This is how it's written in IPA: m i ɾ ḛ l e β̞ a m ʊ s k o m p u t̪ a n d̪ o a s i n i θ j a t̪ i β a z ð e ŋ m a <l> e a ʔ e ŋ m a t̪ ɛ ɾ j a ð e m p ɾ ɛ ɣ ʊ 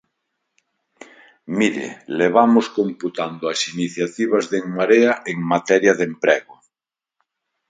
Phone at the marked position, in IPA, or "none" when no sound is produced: ɾ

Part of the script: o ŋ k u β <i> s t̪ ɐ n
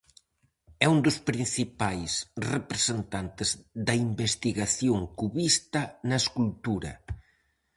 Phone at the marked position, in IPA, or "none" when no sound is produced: i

